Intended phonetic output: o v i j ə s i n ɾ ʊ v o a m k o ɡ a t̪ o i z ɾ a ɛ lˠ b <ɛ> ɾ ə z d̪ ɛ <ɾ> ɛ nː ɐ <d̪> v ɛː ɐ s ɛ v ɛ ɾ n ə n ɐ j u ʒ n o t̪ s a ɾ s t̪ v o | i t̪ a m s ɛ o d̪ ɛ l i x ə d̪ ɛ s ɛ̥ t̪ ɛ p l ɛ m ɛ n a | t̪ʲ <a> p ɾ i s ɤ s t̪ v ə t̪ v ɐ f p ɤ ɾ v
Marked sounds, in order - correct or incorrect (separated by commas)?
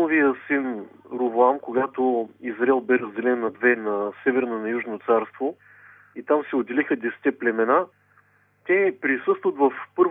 correct, incorrect, correct, incorrect